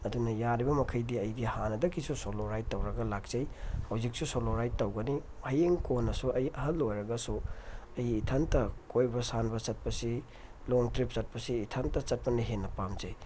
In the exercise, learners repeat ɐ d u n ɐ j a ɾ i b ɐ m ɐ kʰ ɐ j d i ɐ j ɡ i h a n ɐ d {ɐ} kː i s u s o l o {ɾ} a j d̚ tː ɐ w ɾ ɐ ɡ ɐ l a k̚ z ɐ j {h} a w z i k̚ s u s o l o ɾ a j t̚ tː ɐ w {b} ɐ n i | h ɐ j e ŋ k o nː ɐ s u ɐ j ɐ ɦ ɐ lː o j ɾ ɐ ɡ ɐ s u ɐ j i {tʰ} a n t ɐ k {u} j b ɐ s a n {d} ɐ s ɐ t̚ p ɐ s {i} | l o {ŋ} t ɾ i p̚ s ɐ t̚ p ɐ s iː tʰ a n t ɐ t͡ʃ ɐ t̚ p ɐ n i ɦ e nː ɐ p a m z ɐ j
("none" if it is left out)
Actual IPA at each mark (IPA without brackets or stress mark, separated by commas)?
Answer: ɐ, ɾ, h, ɡ, tʰ, o, b, i, ŋ